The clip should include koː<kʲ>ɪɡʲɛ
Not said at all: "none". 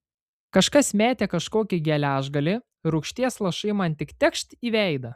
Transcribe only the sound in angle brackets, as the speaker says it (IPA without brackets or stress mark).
kʲ